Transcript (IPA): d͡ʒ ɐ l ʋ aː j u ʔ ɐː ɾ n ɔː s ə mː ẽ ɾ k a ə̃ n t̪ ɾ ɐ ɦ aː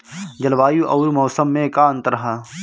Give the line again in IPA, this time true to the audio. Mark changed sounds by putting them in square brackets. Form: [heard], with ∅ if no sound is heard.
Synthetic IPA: d͡ʒ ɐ l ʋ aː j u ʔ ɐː ɾ [m] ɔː s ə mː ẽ [∅] k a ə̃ n t̪ ɾ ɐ ɦ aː